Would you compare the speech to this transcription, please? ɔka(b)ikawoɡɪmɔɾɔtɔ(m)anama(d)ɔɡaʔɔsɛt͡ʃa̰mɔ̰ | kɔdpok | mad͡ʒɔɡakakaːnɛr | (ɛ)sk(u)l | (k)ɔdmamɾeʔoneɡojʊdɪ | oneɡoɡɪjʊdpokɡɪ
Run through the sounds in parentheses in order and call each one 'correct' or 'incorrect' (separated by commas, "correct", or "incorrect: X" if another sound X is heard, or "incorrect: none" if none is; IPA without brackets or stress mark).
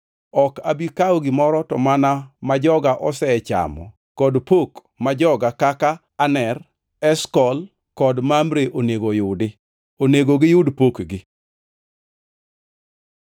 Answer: correct, correct, incorrect: d͡ʒ, correct, incorrect: ɔ, correct